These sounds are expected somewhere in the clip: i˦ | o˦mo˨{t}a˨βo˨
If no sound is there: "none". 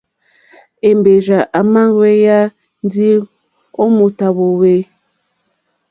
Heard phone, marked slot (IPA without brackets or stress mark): t